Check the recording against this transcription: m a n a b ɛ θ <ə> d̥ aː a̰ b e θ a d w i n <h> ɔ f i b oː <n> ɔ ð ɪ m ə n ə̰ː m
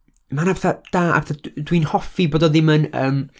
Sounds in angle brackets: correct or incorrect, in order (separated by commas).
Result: incorrect, correct, incorrect